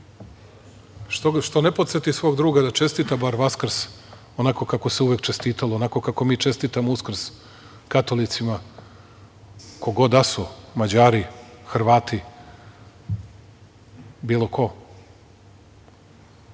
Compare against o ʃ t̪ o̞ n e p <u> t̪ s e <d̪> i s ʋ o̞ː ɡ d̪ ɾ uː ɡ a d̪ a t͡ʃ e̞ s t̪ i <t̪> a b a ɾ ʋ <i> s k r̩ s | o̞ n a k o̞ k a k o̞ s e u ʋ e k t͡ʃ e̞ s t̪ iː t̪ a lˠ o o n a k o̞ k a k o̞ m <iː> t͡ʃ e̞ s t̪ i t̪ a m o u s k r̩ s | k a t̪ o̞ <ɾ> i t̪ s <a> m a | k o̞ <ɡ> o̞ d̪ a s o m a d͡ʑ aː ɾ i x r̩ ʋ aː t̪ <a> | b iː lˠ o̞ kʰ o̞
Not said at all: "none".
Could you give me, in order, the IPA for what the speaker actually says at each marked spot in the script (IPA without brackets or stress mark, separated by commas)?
o, t̪, t̪, a, iː, l, i, ɡ, i